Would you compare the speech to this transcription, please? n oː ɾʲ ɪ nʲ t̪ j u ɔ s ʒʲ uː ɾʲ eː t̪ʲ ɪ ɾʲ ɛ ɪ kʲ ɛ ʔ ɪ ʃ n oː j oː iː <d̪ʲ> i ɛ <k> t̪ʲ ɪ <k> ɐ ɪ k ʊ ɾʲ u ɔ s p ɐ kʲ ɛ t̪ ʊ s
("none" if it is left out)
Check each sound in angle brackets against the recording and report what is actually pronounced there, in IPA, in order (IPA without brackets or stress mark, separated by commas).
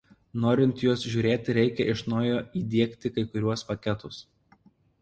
d̪ʲ, k, k